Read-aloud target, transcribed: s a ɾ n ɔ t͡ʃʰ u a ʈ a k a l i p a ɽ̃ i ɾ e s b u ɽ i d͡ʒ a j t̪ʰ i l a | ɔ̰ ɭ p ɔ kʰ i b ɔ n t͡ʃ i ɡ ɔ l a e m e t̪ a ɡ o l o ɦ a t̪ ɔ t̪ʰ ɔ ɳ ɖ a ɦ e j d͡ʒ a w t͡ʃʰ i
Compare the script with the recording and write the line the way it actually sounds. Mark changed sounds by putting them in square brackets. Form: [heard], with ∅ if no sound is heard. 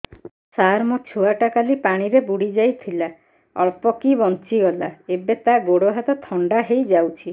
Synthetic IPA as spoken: s a ɾ [m] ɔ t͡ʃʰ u a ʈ a k a l i p a ɽ̃ i ɾ e [∅] b u ɽ i d͡ʒ a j t̪ʰ i l a | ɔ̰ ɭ p ɔ [k] i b ɔ n t͡ʃ i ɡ ɔ l a e [b] e t̪ a ɡ o [ɽ] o ɦ a t̪ ɔ t̪ʰ ɔ ɳ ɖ a ɦ e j d͡ʒ a w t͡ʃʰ i

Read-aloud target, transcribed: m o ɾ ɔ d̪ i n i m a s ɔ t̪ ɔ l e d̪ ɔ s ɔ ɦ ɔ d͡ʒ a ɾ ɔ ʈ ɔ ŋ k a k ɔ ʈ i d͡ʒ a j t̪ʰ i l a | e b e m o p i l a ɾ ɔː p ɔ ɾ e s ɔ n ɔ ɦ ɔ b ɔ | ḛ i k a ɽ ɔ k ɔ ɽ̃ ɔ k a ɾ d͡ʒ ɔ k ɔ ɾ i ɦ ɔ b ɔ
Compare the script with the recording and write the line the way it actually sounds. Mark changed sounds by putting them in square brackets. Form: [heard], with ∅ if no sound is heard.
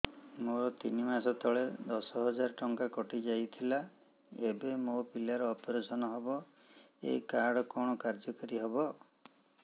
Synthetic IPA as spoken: m o ɾ ɔ [t̪] i n i m a s ɔ t̪ ɔ [ɭ] e d̪ ɔ s ɔ ɦ ɔ d͡ʒ a ɾ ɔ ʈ ɔ ŋ k a k ɔ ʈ i d͡ʒ a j t̪ʰ i l a | e b e m o p i l a ɾ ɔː p ɔ ɾ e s ɔ n ɔ ɦ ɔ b ɔ | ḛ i k a ɽ ɔ k ɔ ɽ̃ ɔ k a ɾ d͡ʒ ɔ k ɔ ɾ i ɦ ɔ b ɔ

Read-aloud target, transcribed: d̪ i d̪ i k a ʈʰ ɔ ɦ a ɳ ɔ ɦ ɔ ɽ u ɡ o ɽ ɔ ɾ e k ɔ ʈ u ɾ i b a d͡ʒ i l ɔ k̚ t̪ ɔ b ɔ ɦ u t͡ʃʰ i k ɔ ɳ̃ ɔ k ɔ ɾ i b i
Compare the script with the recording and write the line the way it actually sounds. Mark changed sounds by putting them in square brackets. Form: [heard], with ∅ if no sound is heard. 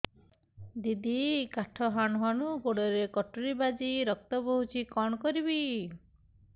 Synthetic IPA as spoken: d̪ i d̪ i k a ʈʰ ɔ ɦ a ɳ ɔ ɦ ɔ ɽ u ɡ o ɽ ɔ ɾ e k ɔ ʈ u ɾ i b a d͡ʒ i [ɾ] ɔ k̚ t̪ ɔ b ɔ ɦ u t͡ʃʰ i k ɔ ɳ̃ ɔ k ɔ ɾ i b i

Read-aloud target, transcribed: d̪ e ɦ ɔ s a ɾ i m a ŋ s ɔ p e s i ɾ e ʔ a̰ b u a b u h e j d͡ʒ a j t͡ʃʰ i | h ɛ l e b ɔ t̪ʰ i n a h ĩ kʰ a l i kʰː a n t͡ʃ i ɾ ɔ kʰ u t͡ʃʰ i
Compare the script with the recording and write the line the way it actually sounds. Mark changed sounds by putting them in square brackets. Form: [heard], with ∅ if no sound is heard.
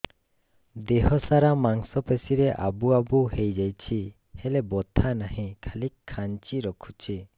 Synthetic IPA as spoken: d̪ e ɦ ɔ s a ɾ [a] m a ŋ s ɔ p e s i ɾ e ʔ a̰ b u a b u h e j d͡ʒ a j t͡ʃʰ i | h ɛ l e b ɔ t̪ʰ [a] n a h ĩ kʰ a l i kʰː a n t͡ʃ i ɾ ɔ kʰ u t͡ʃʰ i

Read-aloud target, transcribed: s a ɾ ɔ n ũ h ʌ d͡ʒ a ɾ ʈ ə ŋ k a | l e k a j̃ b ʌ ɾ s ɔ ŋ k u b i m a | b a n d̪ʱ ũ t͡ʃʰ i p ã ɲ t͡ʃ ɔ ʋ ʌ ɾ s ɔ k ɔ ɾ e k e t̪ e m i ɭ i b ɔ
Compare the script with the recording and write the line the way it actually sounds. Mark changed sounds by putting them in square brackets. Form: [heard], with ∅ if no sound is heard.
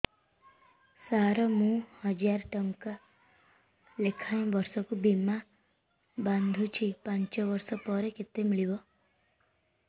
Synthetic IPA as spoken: s a ɾ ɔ [m] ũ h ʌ d͡ʒ a ɾ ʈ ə ŋ k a | l e [kʰ] a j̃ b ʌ ɾ s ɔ [∅] k u b i m a | b a n d̪ʱ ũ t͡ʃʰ i p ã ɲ t͡ʃ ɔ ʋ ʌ ɾ s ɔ [p] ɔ ɾ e k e t̪ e m i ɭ i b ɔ

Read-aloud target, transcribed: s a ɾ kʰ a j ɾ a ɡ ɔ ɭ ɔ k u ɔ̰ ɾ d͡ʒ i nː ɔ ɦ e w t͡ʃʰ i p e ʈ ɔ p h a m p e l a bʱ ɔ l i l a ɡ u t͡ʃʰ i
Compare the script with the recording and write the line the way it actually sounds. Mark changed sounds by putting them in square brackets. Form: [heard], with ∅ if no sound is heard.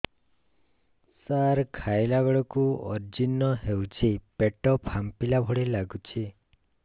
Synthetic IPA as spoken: s a ɾ kʰ a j [l] a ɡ ɔ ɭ ɔ k u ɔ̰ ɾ d͡ʒ i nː ɔ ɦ e w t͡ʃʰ i p e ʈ ɔ p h a m p [i] l a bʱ ɔ [ɽ] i l a ɡ u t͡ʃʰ i

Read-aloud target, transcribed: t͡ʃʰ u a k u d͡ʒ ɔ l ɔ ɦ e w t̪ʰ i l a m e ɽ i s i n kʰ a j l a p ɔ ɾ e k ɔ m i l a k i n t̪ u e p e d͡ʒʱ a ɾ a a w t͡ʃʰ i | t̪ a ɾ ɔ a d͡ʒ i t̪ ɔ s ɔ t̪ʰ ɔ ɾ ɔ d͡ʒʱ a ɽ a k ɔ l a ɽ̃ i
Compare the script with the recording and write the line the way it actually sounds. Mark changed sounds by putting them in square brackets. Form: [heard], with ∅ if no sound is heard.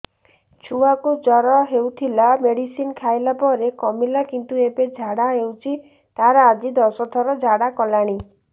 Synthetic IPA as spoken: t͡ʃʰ u a k u d͡ʒ ɔ [ɾ] ɔ ɦ e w t̪ʰ i l a m e ɽ i s i n kʰ a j l a p ɔ ɾ e k ɔ m i l a k i n t̪ u e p e d͡ʒʱ a [ɽ] a [e] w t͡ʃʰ i | t̪ a ɾ ɔ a d͡ʒ i [d̪] ɔ s ɔ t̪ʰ ɔ ɾ ɔ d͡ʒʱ a ɽ a k ɔ l a ɽ̃ i

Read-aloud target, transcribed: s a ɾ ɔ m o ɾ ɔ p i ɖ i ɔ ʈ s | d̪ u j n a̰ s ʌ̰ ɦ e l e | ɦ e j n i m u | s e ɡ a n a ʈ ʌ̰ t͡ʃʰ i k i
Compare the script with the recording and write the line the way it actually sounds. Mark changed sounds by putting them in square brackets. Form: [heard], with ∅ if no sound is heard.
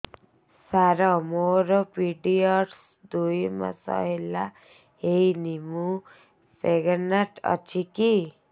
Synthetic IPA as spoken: s a ɾ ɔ m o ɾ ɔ p i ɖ i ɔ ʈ s | d̪ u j [m] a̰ s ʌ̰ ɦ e l [a] | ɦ e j n i m u | s e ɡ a n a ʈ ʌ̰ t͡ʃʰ i k i

